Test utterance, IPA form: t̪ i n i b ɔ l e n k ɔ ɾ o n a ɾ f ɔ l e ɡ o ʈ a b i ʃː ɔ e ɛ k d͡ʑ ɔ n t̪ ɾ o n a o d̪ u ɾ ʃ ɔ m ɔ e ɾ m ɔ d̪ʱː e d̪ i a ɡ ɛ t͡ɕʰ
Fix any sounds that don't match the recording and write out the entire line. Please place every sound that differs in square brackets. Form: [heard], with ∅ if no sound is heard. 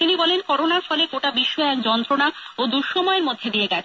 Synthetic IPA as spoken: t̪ i n i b ɔ l e n k ɔ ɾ o n a ɾ f ɔ l e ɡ o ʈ a b i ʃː ɔ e ɛ k d͡ʑ ɔ n t̪ ɾ o n a o d̪ u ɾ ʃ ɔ m ɔ e ɾ m [o] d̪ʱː e d̪ i [e] ɡ ɛ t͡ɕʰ

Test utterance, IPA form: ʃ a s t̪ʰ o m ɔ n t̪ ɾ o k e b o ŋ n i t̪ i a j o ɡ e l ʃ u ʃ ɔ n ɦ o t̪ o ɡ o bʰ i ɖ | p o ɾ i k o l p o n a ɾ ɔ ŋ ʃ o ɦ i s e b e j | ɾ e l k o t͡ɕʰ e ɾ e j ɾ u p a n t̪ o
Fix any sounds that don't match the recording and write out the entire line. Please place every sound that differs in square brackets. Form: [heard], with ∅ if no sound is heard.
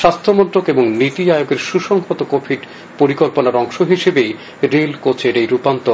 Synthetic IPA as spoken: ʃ a s t̪ʰ o m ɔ n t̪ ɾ o k e b o ŋ n i t̪ i a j o ɡ e [ɾ] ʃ u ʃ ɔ [ŋ] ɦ o t̪ o [k] o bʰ i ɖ | p o ɾ i k o l p o n a ɾ ɔ ŋ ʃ o ɦ i [ʃ] e b e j | ɾ e l k o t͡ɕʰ e ɾ e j ɾ u p a n t̪ o

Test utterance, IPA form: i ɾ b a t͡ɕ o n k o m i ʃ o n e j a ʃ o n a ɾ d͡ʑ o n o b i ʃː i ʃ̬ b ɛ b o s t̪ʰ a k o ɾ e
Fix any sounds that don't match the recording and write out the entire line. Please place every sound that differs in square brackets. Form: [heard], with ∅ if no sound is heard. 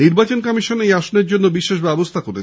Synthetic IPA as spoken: i ɾ b a t͡ɕ o n k [ɔ] m i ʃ o n e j a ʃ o n [e] ɾ d͡ʑ o [nː] o b i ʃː [e] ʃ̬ b ɛ b o s t̪ʰ a k o ɾ e

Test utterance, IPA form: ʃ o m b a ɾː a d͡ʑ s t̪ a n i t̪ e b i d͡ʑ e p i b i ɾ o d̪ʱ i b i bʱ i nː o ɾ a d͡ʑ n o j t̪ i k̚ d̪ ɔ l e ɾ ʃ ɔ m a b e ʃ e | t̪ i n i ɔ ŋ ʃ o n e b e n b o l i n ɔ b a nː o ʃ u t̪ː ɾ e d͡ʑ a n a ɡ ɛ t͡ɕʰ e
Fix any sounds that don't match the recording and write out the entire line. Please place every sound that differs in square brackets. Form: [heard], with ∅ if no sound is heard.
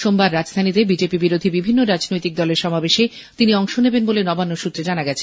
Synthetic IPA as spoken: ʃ o m b a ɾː a d͡ʑ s [t̪ʰ] a n i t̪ e b i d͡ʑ e p i b i ɾ o d̪ʱ i b i bʱ i nː o ɾ a d͡ʑ n o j t̪ i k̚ d̪ ɔ l e ɾ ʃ ɔ m a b e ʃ e | t̪ i n i ɔ ŋ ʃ o n e b e n b o l [e] n ɔ b a nː o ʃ u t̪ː ɾ e d͡ʑ a n a ɡ ɛ t͡ɕʰ e

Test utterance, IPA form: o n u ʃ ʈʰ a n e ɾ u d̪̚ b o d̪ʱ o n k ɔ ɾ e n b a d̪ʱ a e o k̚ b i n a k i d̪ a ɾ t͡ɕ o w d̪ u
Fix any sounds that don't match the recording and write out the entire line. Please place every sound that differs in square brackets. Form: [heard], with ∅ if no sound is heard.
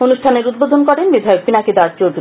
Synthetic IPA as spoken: o n u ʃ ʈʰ a n e ɾ u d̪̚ b o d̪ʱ o n k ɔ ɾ e n b [i] d̪ʱ a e o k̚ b i n a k i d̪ a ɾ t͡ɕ o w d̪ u

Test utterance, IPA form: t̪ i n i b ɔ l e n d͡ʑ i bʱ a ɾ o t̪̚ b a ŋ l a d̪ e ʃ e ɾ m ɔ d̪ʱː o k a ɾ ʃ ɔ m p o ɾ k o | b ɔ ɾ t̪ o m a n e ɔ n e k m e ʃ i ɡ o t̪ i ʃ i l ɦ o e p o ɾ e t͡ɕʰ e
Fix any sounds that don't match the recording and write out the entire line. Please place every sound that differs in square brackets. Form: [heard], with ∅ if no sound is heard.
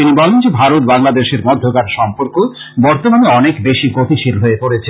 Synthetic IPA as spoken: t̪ i n i b ɔ l e n d͡ʑ [e] bʱ a ɾ o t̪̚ b a ŋ l a d̪ e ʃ e ɾ m ɔ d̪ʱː o k a ɾ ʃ ɔ m p o ɾ k o | b ɔ ɾ t̪ o m a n e ɔ n e k [b] e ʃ i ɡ o t̪ i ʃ i l ɦ o e p o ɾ e t͡ɕʰ e

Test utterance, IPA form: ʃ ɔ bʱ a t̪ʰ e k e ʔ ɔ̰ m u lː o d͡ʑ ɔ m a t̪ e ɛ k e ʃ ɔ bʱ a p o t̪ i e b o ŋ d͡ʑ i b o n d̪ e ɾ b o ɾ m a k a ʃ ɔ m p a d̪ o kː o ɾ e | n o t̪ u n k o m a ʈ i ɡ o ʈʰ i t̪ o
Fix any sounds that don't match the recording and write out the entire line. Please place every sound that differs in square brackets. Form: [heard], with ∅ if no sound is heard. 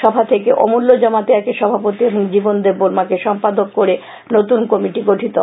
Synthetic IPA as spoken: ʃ ɔ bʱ a t̪ʰ e k e ʔ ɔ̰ m u lː o d͡ʑ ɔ m a t̪ e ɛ k e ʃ ɔ bʱ a p o t̪ i e b o ŋ d͡ʑ i b o n d̪ e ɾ b o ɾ m a k [e] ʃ ɔ m p a d̪ o kː o ɾ e | n o t̪ u n k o m [i] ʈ i ɡ o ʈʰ i t̪ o

